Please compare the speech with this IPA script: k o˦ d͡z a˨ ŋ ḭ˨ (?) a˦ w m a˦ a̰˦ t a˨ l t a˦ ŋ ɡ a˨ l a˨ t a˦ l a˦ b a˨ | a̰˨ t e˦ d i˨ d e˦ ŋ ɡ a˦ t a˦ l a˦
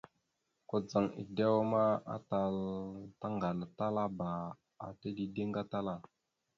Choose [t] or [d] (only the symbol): d